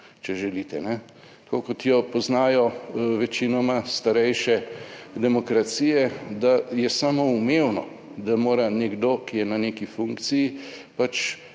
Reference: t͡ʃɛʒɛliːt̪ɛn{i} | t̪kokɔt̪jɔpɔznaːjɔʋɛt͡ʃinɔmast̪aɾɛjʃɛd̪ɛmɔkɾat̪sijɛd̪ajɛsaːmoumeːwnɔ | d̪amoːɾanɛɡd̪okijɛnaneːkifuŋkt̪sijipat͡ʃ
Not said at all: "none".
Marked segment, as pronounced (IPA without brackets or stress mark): ɛ